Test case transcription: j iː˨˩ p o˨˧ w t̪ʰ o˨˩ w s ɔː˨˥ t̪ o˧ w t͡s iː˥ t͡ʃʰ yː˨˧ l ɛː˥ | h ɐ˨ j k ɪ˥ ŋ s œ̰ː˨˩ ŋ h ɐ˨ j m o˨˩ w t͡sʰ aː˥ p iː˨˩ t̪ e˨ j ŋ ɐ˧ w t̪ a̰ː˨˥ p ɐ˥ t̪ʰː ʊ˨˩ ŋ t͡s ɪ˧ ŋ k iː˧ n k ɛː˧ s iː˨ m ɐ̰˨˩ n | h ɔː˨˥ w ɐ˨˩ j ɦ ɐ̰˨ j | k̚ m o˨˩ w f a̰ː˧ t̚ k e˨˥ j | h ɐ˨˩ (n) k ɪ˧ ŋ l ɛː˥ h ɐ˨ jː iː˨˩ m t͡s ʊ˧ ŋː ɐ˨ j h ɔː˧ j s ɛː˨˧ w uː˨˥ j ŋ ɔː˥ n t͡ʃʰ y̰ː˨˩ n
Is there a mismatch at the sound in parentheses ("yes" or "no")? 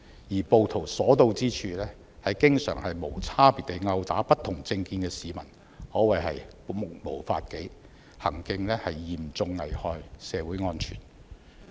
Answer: yes